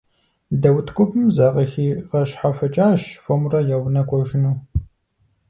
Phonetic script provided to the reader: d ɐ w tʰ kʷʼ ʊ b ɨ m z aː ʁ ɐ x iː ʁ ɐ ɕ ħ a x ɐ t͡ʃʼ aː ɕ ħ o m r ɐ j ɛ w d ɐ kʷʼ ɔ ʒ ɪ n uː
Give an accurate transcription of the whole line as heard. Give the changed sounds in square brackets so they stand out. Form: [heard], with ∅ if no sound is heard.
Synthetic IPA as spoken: d ɐ w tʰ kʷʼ ʊ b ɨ m z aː ʁ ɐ x iː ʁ ɐ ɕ ħ a [f] ɐ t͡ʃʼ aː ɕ [f] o m r ɐ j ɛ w [n] ɐ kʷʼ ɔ ʒ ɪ n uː